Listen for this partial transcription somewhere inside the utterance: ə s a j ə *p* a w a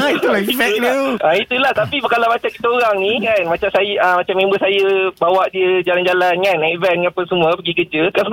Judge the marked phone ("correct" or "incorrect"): incorrect